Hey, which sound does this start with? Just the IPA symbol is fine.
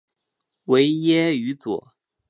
w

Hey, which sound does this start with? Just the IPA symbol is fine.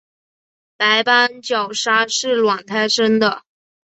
p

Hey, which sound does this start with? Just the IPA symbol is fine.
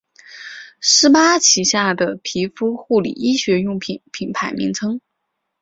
ʂ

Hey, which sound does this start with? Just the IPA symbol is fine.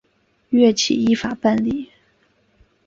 ɥ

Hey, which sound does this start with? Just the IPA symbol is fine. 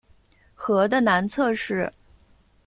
x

